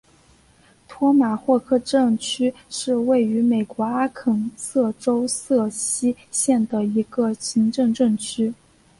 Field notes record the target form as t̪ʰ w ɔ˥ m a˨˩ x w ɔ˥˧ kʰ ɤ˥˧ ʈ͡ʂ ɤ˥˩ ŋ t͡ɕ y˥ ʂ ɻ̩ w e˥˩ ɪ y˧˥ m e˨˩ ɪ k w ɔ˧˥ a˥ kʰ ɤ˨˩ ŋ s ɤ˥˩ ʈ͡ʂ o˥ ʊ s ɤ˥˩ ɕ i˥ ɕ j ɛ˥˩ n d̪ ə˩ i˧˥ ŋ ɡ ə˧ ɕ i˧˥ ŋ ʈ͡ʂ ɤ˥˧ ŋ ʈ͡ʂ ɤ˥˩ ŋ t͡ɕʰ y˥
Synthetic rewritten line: t̪ʰ w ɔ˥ m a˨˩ x w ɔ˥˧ kʰ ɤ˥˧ ʈ͡ʂ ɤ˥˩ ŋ t͡ɕʰ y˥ ʂ ɻ̩ w e˥˩ ɪ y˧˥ m e˨˩ ɪ k w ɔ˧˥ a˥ kʰ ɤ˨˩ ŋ s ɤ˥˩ ʈ͡ʂ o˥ ʊ s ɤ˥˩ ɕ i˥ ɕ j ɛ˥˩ n d̪ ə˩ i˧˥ ɡ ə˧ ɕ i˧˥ ŋ ʈ͡ʂ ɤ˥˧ ŋ ʈ͡ʂ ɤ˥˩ ŋ t͡ɕʰ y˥